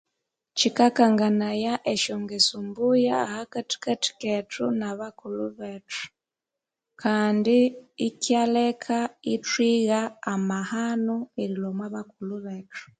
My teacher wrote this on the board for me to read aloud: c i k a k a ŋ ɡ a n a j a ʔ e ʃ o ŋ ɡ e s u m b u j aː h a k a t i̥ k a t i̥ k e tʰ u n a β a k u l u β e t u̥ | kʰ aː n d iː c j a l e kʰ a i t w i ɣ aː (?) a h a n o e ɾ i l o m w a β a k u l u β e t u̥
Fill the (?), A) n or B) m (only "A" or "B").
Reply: B